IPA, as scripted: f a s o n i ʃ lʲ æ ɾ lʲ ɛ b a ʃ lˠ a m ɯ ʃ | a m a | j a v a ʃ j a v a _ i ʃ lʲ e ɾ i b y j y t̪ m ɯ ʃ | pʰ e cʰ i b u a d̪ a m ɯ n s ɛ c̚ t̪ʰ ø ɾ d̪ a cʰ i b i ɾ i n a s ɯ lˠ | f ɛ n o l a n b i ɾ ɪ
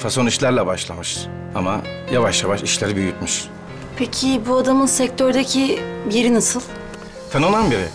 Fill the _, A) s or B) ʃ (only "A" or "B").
B